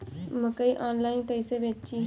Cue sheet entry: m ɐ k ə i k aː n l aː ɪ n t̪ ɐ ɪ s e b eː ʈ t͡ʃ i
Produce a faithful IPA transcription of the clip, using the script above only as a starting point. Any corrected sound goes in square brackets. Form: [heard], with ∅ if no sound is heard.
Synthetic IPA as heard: m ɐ k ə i [ʔ] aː n l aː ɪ n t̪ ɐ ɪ s e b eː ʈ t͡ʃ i